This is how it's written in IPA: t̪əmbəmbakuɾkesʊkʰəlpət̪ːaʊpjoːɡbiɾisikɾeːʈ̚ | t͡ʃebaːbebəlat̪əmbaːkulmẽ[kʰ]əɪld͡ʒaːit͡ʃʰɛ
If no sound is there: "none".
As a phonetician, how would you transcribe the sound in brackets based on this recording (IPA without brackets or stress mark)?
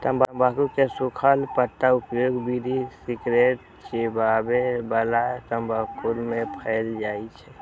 pʰ